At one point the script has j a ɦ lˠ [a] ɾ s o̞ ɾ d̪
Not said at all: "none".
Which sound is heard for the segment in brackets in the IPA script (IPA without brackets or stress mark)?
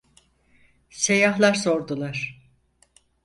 a